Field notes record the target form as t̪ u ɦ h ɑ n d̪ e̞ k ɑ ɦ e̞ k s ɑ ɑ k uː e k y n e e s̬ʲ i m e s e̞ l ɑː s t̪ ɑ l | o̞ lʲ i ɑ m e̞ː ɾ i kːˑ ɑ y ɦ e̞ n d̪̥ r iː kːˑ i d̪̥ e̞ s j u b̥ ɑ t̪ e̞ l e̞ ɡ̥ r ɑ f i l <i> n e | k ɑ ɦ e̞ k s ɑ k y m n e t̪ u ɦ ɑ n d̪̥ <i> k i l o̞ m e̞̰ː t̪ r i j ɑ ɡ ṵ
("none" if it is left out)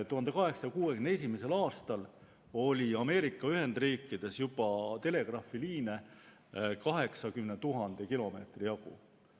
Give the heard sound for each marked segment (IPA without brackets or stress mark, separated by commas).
iː, e